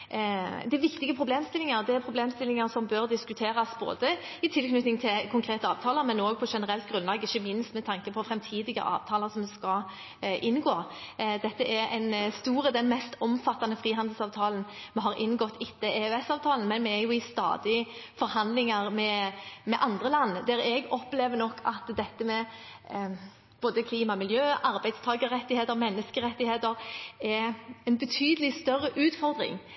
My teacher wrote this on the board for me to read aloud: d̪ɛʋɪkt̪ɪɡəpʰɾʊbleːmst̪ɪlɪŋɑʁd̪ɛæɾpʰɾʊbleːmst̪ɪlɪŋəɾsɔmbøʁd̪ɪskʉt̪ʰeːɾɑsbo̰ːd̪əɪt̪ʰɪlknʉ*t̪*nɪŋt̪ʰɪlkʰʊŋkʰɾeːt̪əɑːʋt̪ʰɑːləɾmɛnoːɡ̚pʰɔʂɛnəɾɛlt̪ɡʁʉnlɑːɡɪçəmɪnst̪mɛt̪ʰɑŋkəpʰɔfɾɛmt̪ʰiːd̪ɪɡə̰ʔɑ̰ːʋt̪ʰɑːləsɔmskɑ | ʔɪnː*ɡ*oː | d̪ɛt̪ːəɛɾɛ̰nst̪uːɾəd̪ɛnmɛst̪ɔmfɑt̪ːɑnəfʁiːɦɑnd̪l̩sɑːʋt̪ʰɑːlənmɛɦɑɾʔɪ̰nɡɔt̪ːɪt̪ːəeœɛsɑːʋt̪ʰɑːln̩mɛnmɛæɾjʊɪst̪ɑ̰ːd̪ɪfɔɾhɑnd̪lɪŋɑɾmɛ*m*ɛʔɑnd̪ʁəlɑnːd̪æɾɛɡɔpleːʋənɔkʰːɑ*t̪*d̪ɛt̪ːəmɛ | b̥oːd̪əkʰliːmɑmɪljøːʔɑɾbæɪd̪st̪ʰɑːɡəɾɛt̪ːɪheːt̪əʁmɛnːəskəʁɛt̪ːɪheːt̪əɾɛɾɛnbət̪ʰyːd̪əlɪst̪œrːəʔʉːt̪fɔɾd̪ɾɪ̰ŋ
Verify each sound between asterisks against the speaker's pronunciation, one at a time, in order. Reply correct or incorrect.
correct, correct, correct, correct

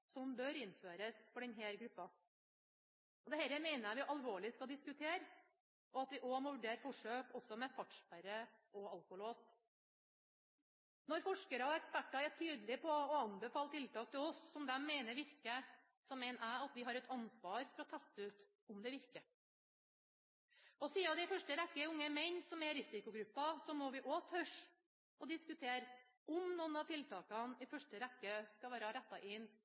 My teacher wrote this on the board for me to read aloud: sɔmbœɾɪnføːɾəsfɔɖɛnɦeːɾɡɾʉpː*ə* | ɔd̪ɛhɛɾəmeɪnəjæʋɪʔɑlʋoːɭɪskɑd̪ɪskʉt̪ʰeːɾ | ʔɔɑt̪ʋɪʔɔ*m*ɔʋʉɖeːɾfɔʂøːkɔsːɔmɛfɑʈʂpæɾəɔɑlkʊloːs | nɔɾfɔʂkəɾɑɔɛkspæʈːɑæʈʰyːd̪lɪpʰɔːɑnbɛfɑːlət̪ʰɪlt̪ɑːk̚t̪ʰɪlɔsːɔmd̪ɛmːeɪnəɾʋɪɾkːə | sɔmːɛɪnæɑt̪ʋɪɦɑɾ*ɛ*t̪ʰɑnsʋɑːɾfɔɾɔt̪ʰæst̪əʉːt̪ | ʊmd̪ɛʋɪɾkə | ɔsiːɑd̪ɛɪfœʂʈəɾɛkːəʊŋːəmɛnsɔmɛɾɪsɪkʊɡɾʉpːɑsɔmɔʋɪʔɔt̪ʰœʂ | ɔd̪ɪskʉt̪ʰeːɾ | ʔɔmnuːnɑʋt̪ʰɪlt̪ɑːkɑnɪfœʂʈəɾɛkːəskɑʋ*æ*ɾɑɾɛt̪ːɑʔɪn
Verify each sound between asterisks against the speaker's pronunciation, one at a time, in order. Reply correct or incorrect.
incorrect: ɑ, correct, correct, incorrect: æː

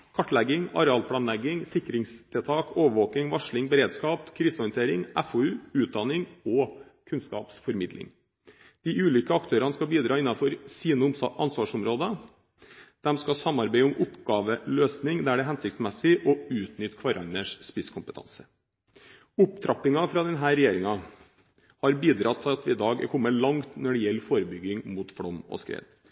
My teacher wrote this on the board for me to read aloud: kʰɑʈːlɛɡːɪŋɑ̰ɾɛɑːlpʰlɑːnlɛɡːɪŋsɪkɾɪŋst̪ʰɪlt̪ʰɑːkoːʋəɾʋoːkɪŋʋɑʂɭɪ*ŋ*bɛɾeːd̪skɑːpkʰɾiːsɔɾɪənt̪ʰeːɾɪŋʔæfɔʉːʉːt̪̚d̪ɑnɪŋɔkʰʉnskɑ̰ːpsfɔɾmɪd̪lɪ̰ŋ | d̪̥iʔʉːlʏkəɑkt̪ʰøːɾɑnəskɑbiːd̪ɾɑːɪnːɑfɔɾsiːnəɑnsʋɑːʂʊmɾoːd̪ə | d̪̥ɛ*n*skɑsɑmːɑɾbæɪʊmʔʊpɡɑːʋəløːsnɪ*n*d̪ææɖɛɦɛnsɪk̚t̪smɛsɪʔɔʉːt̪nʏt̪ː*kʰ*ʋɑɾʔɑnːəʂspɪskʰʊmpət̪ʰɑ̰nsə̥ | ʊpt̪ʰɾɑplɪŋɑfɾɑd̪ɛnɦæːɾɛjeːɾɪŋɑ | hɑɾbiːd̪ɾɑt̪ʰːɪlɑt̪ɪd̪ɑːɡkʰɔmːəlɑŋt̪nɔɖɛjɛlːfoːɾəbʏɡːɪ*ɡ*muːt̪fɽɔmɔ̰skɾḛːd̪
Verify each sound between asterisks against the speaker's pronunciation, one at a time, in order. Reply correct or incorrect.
correct, incorrect: m, incorrect: ŋ, correct, incorrect: ŋ

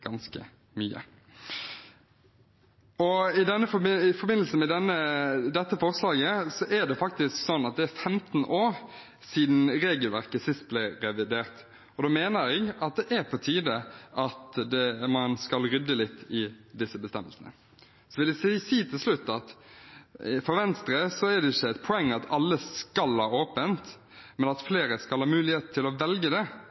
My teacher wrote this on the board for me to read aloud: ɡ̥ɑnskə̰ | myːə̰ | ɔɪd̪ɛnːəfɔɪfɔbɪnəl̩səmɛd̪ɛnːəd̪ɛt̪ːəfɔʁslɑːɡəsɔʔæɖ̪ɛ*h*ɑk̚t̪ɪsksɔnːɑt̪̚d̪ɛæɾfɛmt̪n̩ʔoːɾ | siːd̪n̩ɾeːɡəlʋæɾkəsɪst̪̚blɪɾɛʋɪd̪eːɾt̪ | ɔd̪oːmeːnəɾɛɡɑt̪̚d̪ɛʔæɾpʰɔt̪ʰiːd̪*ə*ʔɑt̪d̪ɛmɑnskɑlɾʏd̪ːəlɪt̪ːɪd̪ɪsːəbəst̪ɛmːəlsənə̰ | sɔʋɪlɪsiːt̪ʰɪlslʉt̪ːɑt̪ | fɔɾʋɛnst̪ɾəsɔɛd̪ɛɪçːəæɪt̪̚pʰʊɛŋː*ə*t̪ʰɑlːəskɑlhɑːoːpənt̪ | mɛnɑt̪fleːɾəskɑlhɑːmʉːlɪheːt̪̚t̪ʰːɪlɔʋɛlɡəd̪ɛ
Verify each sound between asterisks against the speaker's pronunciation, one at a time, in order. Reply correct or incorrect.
incorrect: f, correct, incorrect: ɑ

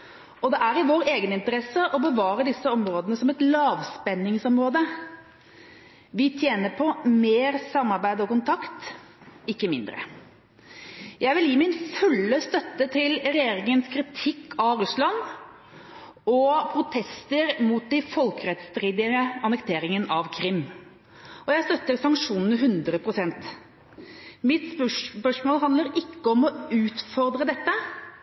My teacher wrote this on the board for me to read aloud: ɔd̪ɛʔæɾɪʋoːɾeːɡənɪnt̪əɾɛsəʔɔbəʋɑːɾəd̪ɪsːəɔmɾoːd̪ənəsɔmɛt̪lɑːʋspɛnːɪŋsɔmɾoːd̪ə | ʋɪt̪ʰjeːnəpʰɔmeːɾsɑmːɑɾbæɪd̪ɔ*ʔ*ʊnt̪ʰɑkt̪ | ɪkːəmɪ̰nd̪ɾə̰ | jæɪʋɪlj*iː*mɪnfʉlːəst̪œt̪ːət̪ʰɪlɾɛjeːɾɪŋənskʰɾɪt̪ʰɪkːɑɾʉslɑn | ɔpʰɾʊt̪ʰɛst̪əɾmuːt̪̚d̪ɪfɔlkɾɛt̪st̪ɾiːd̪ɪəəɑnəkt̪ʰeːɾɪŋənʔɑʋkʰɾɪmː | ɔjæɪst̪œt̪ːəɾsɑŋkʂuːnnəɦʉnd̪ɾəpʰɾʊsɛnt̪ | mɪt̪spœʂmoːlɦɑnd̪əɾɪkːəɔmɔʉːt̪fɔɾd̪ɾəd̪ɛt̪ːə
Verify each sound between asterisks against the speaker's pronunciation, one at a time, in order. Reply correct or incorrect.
incorrect: k, correct

